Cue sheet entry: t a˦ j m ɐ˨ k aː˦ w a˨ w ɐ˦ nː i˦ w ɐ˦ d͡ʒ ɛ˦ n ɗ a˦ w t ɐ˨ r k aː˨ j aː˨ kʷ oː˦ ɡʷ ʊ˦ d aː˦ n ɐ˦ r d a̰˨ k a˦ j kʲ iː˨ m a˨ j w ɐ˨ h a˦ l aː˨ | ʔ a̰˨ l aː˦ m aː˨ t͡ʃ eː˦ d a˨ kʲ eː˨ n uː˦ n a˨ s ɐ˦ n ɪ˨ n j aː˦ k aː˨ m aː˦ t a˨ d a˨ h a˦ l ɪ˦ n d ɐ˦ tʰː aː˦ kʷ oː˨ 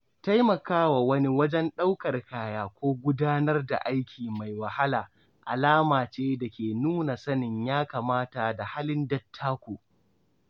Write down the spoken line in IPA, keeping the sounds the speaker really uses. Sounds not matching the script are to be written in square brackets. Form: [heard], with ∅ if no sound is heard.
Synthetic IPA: t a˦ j m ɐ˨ k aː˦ w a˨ w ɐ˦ [n] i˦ w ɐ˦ d͡ʒ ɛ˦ n ɗ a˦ w [k] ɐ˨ r k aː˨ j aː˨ kʷ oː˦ ɡʷ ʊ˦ d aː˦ n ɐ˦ r d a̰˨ [ʔ] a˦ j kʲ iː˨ m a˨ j w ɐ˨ h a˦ l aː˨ | ʔ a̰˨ l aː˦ m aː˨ t͡ʃ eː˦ d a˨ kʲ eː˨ n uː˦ n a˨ s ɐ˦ n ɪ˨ [ɲ] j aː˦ k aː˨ m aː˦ t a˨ d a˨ h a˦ l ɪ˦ n d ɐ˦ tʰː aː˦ kʷ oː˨

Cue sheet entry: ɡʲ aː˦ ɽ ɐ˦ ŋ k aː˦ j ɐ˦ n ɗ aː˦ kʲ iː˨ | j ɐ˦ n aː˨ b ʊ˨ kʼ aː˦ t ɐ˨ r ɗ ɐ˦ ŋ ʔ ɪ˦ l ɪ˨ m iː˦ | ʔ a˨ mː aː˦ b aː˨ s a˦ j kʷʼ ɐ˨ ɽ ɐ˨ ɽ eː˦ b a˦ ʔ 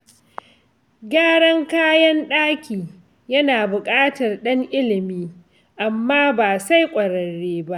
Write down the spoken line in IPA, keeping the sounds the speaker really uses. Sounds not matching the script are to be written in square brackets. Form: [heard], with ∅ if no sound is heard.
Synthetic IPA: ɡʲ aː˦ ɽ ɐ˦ ŋ k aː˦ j ɐ˦ n ɗ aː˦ kʲ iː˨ | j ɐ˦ n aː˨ b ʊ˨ kʼ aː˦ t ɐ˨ r ɗ ɐ˦ ŋ ʔ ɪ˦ l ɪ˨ m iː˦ | ʔ a˨ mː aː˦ b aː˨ s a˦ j kʷʼ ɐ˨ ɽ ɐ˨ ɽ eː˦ b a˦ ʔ

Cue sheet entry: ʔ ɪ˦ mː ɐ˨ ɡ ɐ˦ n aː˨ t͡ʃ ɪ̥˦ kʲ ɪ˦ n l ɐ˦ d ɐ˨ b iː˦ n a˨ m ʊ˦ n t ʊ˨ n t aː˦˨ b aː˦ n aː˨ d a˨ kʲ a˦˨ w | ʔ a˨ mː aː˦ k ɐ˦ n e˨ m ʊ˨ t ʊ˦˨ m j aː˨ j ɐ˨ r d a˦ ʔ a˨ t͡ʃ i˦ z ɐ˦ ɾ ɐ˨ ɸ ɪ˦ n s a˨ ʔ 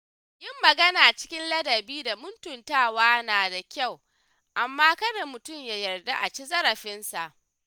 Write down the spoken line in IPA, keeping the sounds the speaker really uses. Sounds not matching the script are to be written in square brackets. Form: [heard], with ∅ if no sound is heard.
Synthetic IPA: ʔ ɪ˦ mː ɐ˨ ɡ ɐ˦ n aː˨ t͡ʃ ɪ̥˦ kʲ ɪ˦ n l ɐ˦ d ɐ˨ b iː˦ [d] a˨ m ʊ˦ n t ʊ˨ n t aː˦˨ [w] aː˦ n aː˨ d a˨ kʲ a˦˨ w | ʔ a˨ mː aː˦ k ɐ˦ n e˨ m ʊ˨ t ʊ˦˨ m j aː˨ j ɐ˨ r d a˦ ʔ a˨ t͡ʃ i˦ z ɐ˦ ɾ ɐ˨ ɸ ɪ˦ n s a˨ ʔ

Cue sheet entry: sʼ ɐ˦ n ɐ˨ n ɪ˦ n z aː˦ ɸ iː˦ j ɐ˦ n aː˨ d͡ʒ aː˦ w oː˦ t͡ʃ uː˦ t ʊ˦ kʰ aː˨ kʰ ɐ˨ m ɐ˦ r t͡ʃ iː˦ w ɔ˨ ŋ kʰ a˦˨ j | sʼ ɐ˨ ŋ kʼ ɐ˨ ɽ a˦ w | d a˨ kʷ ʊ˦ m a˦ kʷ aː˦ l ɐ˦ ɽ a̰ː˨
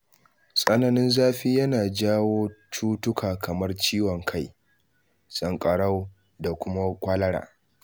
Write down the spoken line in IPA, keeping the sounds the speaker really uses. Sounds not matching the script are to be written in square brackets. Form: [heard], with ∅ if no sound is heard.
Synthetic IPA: sʼ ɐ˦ n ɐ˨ n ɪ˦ n z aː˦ ɸ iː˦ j ɐ˦ n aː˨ d͡ʒ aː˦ w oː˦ t͡ʃ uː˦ t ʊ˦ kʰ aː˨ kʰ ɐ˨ m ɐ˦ r t͡ʃ iː˦ w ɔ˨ ŋ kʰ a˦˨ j | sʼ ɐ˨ ŋ kʼ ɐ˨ ɽ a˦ w | d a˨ kʷ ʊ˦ m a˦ kʷ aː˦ l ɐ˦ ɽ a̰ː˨

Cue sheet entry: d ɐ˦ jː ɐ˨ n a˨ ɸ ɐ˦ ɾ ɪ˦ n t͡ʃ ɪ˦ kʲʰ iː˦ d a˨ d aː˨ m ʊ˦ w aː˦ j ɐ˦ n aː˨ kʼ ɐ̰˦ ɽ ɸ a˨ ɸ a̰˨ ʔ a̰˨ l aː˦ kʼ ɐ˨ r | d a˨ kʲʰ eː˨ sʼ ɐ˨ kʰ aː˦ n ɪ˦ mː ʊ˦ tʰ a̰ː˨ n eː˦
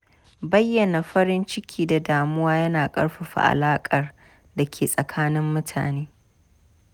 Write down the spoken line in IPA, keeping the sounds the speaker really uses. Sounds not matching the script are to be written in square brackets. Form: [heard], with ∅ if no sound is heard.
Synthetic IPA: [b] ɐ˦ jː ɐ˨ n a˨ ɸ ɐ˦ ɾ ɪ˦ n t͡ʃ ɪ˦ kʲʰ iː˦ d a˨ d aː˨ m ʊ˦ w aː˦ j ɐ˦ n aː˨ kʼ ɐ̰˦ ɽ ɸ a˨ ɸ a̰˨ ʔ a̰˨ l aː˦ kʼ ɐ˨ r | d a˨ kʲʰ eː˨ sʼ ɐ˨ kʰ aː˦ n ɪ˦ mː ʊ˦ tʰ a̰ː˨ n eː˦

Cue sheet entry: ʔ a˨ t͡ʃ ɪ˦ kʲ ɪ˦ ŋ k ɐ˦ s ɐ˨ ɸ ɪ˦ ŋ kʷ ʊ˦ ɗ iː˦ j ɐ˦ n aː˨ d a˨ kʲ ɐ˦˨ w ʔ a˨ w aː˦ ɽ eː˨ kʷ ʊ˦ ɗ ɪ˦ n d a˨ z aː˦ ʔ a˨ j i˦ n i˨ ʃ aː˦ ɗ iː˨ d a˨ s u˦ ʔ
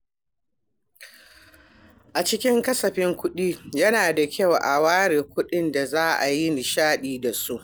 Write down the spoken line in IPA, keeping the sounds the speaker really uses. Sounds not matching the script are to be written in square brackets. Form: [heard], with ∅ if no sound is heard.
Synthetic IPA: ʔ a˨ t͡ʃ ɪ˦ kʲ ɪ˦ ŋ k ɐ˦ s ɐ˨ ɸ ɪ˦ ŋ kʷ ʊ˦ ɗ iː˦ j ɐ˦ n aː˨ d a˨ kʲ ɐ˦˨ w ʔ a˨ w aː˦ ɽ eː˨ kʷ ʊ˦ ɗ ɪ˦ n d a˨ z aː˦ ʔ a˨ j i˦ n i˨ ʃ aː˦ ɗ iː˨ d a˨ s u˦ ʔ

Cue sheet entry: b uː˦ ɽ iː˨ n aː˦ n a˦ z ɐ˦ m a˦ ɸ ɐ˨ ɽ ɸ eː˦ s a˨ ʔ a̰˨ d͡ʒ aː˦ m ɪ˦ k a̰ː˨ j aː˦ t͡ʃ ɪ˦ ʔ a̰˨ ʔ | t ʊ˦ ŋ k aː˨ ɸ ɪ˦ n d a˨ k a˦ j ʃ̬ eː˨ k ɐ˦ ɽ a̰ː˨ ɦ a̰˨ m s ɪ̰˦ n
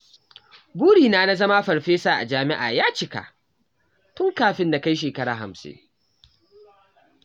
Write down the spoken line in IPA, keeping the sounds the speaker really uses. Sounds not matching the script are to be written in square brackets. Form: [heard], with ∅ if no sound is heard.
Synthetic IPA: b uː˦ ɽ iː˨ n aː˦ n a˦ z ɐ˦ m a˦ ɸ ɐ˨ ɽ ɸ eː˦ s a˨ ʔ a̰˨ d͡ʒ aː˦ m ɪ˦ [ʔ] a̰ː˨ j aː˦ t͡ʃ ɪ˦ [k] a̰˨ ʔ | t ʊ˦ ŋ k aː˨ ɸ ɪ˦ n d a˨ k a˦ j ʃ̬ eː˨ k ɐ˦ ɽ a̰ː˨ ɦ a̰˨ m s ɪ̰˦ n

